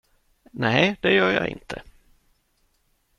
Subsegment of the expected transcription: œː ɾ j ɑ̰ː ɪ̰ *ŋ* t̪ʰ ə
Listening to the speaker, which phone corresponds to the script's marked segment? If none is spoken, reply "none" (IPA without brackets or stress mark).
n